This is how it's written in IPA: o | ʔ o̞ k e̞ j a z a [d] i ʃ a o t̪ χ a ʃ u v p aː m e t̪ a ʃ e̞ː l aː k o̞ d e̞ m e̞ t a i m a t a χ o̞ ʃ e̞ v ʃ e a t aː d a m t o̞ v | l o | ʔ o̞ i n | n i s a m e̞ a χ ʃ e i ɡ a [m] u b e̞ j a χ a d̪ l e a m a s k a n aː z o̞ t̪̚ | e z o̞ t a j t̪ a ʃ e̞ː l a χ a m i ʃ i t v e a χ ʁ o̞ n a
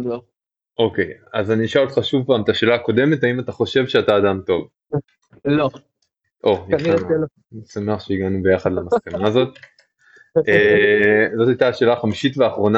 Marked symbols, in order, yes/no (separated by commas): no, no